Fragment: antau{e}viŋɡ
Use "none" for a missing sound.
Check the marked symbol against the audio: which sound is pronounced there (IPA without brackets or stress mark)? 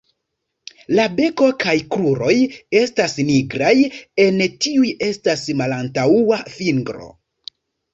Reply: a